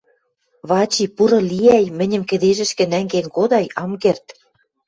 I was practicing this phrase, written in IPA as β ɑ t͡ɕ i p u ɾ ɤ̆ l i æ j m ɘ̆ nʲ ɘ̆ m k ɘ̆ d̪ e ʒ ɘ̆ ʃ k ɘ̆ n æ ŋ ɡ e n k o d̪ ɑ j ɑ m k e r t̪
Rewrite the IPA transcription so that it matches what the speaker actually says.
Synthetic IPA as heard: β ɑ t͡ɕ i p u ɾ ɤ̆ l i æ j m ɘ̆ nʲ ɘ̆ m k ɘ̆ d̪ e ʒ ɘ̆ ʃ k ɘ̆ n æ ŋ ɡ e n k o d̪ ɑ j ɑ m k e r t̪